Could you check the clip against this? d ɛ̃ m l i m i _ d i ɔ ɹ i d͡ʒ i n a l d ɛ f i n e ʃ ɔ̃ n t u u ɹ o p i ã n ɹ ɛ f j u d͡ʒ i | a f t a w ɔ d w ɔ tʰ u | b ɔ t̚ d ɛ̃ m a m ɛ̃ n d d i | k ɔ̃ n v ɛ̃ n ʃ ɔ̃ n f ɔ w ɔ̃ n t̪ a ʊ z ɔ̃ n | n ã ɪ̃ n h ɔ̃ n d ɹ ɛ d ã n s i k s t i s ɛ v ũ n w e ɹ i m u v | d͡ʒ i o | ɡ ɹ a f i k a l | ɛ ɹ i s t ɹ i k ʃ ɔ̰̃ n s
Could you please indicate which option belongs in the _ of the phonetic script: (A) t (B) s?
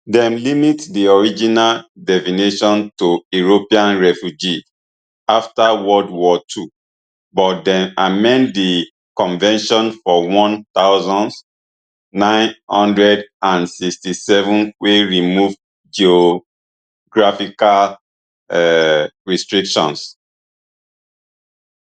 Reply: A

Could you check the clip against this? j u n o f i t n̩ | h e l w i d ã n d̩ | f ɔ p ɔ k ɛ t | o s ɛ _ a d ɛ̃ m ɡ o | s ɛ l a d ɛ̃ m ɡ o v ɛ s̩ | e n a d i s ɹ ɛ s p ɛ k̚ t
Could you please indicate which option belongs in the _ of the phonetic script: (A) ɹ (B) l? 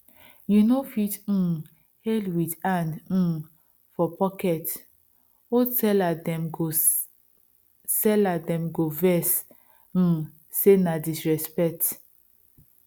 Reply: B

